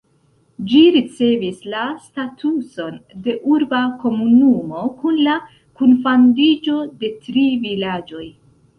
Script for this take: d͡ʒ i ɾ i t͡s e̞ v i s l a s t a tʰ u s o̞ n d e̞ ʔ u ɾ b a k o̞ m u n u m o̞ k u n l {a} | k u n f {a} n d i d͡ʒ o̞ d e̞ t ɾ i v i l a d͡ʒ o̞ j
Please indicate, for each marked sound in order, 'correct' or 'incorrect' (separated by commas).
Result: correct, correct